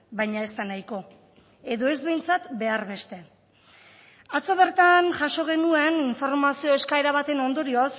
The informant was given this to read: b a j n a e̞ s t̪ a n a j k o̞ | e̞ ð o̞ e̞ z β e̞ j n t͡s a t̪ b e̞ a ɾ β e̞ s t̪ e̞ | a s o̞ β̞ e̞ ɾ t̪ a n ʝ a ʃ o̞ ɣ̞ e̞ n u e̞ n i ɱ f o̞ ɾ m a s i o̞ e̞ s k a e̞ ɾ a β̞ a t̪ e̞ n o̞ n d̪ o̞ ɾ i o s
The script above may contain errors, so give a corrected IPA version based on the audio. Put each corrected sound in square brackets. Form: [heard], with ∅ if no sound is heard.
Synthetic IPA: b a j [ɲ] a e̞ s t̪ a n a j k o̞ | e̞ ð o̞ e̞ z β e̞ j n t͡s a t̪ b e̞ a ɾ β e̞ s t̪ e̞ | a [t͡s] o̞ β̞ e̞ ɾ t̪ a n ʝ a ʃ o̞ ɣ̞ e̞ n u e̞ n i ɱ f o̞ ɾ m a s i o̞ e̞ s k a e̞ ɾ a β̞ a t̪ e̞ n o̞ n d̪ o̞ ɾ i o s